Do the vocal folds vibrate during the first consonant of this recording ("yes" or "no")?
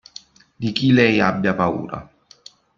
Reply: yes